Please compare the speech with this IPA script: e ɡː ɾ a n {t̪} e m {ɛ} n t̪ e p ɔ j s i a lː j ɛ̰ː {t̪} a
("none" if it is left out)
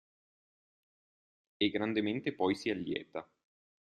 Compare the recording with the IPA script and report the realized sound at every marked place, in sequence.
d̪, e, t̪

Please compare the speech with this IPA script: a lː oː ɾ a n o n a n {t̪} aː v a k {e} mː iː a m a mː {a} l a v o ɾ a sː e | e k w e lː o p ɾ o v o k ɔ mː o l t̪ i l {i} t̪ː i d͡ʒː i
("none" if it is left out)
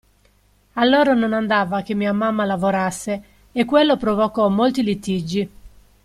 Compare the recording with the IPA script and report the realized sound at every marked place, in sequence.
d̪, e, a, i

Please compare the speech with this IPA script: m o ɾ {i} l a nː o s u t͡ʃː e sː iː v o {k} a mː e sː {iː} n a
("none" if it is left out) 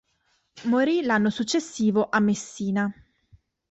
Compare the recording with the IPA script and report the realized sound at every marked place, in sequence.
i, ʔ, iː

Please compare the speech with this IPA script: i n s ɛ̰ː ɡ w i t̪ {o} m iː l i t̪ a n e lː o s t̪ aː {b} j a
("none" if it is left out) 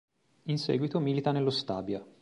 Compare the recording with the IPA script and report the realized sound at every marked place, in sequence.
o, b

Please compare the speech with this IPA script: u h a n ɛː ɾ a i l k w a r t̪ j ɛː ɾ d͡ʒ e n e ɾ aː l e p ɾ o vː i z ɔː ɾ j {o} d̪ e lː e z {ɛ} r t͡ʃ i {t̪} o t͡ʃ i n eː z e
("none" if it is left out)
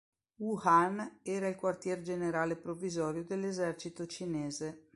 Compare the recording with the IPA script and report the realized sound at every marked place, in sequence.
o, ɛ, t̪

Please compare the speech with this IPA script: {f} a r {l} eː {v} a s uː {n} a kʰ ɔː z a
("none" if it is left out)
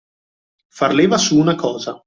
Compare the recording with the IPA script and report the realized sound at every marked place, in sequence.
f, l, v, n

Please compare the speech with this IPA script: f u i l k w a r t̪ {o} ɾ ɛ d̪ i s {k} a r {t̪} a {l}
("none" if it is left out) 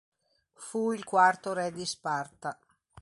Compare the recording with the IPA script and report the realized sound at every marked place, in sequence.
o, p, t̪, none

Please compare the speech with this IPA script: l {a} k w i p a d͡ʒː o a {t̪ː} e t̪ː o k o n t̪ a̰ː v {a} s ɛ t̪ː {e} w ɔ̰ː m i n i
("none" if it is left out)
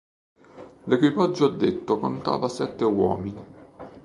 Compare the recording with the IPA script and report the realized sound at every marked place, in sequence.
e, d̪ː, a, e

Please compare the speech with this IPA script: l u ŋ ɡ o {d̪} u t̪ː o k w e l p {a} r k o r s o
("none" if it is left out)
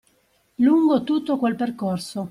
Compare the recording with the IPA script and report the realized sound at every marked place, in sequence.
t̪, e

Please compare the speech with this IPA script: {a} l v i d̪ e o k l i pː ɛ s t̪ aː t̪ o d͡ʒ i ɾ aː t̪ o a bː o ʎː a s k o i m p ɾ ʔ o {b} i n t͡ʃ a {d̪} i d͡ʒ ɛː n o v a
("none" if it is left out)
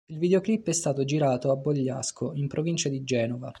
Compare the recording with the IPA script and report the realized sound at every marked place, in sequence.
i, v, d̪

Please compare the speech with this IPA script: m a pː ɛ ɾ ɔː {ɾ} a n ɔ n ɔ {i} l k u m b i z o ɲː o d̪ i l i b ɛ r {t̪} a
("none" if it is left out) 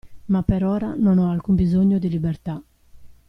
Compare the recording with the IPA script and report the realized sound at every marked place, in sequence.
ɾ, a, t̪

